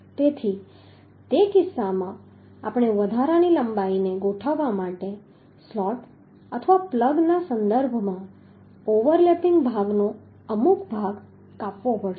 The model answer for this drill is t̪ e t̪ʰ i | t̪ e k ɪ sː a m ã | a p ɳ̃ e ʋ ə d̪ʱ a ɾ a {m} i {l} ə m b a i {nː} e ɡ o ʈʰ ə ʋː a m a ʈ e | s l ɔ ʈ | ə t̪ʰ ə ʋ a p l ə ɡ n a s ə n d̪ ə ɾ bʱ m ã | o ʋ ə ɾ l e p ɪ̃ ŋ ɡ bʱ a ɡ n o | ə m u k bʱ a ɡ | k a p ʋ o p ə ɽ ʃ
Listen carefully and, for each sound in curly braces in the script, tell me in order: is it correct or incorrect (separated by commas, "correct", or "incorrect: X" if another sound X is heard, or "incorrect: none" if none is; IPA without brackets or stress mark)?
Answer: incorrect: n, correct, incorrect: n